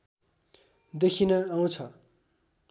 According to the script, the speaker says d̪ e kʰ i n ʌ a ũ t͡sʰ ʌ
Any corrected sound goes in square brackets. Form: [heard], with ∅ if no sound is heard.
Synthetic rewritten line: d̪ e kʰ i n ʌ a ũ t͡sʰ ʌ